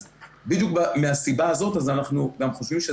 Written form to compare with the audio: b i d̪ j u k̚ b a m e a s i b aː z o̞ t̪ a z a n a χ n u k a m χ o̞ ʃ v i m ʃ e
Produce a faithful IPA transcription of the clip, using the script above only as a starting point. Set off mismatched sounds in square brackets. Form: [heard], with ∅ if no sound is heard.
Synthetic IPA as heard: b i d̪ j u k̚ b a m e a s i b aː z o̞ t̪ a z a n a χ n u [ɡ] a m χ o̞ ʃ v i m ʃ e